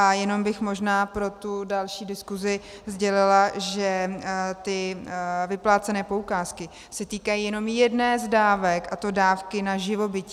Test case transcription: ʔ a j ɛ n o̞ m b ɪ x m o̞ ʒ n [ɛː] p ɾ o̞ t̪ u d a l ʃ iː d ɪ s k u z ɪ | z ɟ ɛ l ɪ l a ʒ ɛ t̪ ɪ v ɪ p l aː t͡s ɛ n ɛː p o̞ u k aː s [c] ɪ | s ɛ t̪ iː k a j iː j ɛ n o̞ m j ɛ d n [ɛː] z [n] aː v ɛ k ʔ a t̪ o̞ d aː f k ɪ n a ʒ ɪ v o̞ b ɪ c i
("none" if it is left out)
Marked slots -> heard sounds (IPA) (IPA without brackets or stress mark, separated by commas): aː, k, ɛː, d